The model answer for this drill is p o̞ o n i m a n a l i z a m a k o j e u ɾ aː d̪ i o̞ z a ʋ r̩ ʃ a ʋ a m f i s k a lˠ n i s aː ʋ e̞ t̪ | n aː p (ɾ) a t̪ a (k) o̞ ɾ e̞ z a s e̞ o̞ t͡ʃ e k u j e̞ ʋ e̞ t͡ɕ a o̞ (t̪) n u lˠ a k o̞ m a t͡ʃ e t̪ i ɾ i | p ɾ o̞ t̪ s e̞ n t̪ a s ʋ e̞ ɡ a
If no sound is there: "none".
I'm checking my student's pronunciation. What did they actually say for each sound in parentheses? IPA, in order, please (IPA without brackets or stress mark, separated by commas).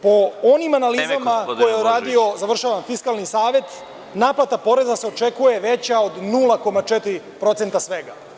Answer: l, p, d̪